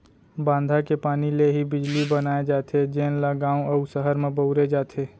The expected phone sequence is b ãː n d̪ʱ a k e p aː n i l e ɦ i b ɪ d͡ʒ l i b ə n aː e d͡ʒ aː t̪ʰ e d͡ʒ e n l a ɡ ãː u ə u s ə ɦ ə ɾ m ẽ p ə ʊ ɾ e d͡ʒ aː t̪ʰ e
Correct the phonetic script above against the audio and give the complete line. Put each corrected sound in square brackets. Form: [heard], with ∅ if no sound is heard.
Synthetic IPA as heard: b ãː n d̪ʱ a k e p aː n i l e ɦ i b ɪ d͡ʒ l i b ə n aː e d͡ʒ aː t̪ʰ e d͡ʒ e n l a ɡ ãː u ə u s ə ɦ ə ɾ m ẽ [b] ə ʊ ɾ e d͡ʒ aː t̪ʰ e